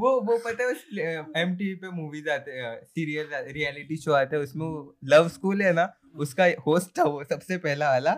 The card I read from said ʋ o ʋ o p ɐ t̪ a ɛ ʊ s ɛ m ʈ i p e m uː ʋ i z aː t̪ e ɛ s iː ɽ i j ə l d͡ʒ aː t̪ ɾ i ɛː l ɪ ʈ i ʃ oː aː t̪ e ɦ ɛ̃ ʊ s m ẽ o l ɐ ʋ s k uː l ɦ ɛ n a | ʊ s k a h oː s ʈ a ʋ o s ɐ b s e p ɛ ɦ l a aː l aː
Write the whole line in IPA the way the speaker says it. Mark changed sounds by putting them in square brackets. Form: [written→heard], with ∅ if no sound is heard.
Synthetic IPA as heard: ʋ o ʋ o p ɐ t̪ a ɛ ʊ s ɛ m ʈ i p e m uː ʋ i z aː t̪ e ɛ s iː [ɽ→ɾ] i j ə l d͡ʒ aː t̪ ɾ i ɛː l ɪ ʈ i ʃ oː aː t̪ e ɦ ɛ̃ ʊ s m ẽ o l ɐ ʋ s k uː l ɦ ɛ n a | ʊ s k a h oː s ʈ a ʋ o s ɐ b s e p ɛ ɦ l a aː l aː